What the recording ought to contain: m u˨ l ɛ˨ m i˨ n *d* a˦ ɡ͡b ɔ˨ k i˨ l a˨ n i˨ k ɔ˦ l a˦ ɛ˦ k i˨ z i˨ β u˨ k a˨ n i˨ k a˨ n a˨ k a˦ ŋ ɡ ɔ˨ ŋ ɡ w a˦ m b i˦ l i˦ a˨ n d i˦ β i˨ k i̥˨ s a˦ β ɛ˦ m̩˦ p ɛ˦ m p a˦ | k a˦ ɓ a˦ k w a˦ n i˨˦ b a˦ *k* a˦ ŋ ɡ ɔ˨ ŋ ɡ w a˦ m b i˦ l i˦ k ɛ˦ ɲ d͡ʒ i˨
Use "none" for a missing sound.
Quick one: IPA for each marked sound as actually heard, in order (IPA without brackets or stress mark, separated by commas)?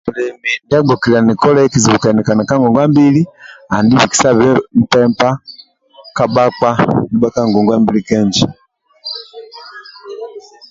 d, k